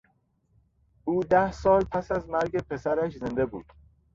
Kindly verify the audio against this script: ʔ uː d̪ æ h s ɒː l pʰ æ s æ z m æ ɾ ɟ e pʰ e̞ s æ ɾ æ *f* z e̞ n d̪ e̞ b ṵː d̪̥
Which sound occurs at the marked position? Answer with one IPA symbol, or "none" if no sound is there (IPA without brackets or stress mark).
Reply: ʃ